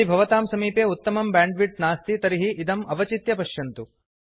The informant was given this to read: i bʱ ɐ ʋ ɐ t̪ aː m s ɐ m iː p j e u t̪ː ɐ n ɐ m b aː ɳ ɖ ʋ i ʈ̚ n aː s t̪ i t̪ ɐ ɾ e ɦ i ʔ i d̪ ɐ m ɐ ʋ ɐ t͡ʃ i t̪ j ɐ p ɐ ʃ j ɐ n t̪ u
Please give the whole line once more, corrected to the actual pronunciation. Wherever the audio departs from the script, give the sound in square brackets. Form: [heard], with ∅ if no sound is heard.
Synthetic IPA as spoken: i bʱ ɐ ʋ ɐ t̪ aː m s ɐ m iː p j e u t̪ː ɐ [m] ɐ m b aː ɳ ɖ ʋ i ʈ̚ n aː s t̪ i t̪ ɐ ɾ [i] ɦ i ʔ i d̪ ɐ m ɐ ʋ ɐ t͡ʃ i t̪ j ɐ p ɐ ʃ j ɐ n t̪ u